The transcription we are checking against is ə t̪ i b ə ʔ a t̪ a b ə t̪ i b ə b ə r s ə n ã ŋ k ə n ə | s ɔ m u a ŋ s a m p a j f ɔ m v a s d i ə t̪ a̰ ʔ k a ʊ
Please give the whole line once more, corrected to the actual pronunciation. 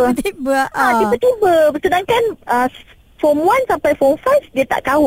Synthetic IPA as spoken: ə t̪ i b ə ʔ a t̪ i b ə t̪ i b ə b ə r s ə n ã ŋ k a n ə | f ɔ m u a n s a m p a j f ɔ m f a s d i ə t̪ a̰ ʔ k a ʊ